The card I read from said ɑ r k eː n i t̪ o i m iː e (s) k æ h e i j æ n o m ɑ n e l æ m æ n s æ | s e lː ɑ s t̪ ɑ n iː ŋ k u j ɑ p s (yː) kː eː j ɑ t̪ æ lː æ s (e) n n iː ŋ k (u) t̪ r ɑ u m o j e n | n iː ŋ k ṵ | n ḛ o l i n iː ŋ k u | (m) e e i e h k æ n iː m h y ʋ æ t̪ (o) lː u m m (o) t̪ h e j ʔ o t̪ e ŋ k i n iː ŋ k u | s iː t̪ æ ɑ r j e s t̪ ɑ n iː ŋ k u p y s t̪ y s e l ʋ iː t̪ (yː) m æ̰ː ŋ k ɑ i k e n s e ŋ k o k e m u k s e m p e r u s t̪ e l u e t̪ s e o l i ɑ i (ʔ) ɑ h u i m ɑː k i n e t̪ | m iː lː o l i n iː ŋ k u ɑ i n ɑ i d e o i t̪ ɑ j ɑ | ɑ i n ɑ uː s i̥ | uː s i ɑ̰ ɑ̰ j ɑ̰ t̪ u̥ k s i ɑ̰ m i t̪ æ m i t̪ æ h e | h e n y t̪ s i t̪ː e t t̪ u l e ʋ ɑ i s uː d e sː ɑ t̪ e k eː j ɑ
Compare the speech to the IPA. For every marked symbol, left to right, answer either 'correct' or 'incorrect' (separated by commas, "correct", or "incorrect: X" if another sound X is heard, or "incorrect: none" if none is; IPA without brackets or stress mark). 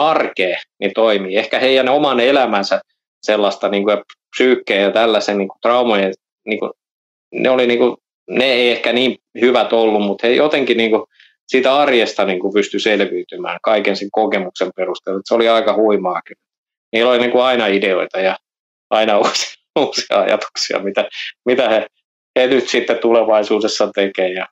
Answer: incorrect: h, correct, correct, correct, incorrect: n, correct, incorrect: u, incorrect: y, incorrect: k